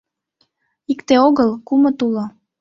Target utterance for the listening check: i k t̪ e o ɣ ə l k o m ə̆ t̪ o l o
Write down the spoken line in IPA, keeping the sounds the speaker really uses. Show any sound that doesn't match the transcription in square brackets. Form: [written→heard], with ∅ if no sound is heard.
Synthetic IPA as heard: i k t̪ e o ɣ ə l k [o→u] m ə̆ t̪ [o→u] l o